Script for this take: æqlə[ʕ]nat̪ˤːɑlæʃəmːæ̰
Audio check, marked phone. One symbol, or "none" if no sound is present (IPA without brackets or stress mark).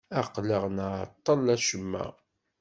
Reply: ʁ